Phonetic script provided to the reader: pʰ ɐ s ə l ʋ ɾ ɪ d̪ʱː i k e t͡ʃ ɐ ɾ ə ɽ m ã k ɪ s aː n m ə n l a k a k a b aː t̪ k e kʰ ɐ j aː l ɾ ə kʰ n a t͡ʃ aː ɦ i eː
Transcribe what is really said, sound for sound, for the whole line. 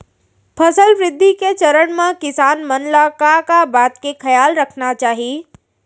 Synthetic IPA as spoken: pʰ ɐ s ə l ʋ ɾ ɪ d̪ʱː i k e t͡ʃ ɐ ɾ ə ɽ m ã k ɪ s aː n m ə n l a k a k a b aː t̪ k e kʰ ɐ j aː l ɾ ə kʰ n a t͡ʃ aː ɦ i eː